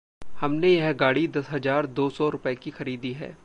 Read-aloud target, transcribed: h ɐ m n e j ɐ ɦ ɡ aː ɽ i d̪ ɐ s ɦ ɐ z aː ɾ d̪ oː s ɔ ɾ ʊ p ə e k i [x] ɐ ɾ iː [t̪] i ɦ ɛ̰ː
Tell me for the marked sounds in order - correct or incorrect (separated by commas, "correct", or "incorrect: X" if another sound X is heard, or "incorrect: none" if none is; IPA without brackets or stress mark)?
correct, incorrect: d̪